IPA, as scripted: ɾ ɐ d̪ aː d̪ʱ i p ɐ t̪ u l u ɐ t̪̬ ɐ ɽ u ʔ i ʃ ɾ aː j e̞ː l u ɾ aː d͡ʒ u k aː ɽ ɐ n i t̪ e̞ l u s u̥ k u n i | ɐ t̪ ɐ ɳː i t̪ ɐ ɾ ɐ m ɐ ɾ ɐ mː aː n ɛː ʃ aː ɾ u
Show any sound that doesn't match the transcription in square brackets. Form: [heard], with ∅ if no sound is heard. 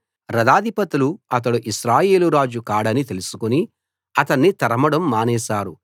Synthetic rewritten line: ɾ ɐ d̪ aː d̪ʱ i p ɐ t̪ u l u ɐ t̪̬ ɐ ɽ u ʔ i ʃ ɾ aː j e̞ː l u ɾ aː d͡ʒ u k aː ɽ ɐ n i t̪ e̞ l u s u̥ k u n i | ɐ t̪ ɐ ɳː i t̪ ɐ ɾ ɐ m ɐ [ɽ] ɐ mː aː n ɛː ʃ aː ɾ u